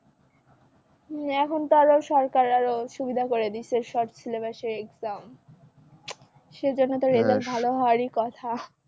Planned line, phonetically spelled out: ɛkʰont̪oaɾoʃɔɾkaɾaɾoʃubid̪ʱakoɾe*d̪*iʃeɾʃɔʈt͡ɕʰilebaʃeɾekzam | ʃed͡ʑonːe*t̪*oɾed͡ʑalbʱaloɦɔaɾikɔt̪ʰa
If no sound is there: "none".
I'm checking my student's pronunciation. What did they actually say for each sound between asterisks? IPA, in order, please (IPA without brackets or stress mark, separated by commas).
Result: d̪, t̪